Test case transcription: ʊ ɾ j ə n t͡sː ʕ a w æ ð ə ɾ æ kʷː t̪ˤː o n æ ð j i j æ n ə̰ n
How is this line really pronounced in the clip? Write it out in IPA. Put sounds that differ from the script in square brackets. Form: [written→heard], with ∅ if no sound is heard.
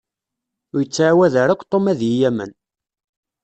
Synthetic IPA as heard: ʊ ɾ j ə [n→∅] t͡sː ʕ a w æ ð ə ɾ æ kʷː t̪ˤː o [n→m] æ ð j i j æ [n→m] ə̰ n

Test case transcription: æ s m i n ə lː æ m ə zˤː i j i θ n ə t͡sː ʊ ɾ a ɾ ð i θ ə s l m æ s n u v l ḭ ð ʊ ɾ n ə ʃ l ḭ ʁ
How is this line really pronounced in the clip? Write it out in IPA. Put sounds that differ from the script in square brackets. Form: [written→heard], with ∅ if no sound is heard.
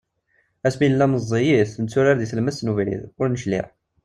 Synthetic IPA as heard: æ s m i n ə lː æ m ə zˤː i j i θ n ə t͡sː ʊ ɾ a ɾ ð i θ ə [s→∅] l m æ s n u v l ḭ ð ʊ ɾ n ə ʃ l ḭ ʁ

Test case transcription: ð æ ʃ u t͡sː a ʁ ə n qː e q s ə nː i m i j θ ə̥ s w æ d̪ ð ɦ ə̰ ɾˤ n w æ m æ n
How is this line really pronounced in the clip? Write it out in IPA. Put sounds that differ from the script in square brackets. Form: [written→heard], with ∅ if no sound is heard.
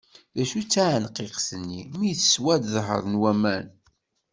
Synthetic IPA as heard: ð æ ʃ u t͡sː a [ʁ→ʕ] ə n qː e q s ə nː i m i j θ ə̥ s w æ d̪ ð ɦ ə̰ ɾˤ n w æ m æ n

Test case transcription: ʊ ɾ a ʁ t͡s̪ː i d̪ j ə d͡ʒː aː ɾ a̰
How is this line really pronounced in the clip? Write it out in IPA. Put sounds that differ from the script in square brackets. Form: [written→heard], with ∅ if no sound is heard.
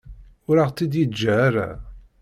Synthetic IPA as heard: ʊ ɾ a ʁ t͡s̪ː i d̪ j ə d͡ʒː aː ɾ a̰

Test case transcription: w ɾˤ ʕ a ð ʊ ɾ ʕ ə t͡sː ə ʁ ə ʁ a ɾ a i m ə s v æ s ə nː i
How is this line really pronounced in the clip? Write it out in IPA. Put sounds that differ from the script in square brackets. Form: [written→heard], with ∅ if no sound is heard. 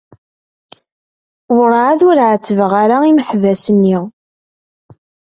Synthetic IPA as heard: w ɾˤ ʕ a ð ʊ ɾ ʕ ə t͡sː ə [ʁ→v] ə ʁ a ɾ a i m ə [s→ħ] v æ s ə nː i

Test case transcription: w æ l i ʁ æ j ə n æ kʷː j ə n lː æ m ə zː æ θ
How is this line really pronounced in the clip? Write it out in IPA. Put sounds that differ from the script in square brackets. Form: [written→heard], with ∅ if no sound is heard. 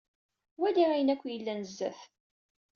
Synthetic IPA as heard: w æ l i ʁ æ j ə n æ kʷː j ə [n→∅] lː æ [m→n] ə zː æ θ

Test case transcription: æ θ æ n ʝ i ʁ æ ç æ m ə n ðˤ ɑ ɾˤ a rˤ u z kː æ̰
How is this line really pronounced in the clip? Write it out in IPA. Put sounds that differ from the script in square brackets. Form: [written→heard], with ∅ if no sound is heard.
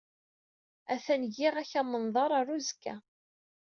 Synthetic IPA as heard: æ θ æ n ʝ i ʁ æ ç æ m ə n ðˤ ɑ ɾˤ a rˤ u z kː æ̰

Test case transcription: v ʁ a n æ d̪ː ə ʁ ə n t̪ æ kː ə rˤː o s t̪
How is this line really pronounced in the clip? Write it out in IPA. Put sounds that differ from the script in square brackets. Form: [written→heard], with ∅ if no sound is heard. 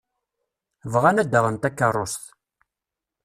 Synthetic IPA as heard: v ʁ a n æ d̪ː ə ʁ ə n t̪ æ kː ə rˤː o s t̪

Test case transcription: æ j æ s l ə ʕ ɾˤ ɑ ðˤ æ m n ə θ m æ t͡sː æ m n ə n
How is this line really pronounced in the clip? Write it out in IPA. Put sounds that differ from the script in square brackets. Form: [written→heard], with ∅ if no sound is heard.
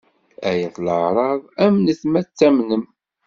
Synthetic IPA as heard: æ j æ [s→θ] l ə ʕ ɾˤ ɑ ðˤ æ m n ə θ m æ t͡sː æ m n ə [n→m]

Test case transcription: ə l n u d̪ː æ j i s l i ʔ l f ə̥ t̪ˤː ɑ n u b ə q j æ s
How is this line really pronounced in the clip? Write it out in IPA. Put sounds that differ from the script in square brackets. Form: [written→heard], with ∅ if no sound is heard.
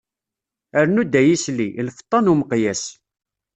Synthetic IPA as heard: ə [l→ɾ] n u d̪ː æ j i s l i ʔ l f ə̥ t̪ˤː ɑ n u [b→m] ə q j æ s

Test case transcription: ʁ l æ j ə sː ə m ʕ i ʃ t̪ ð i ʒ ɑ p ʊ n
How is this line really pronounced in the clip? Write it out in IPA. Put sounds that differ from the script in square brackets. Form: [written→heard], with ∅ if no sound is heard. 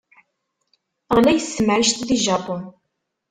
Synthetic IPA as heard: ʁ l æ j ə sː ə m ʕ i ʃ t̪ ð i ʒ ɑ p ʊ n

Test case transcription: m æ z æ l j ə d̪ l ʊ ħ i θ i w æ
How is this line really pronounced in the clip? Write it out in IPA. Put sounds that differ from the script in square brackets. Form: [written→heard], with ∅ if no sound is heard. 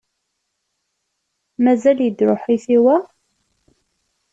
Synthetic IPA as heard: m æ z æ l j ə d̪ [l→ɾ] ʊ ħ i θ i w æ

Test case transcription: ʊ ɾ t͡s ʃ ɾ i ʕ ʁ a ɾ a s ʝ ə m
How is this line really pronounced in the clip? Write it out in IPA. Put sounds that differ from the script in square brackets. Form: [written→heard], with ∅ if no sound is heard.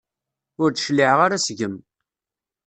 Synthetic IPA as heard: ʊ ɾ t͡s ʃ [ɾ→l] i ʕ ʁ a ɾ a s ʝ ə m

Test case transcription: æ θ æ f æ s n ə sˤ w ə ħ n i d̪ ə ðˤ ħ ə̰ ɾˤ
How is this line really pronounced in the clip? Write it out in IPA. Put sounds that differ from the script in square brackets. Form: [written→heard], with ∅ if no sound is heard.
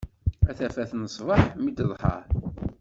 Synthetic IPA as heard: æ θ æ f æ [s→θ] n ə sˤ [w→v] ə ħ [n→m] i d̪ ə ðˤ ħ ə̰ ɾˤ

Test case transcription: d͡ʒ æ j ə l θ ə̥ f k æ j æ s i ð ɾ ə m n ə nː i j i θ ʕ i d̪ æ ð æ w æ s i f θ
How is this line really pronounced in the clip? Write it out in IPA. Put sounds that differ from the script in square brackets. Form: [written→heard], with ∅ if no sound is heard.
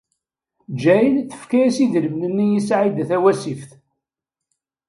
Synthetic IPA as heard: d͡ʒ æ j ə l θ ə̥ f k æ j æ s i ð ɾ ə m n ə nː i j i [θ→s] ʕ i d̪ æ [ð→θ] æ w æ s i f θ

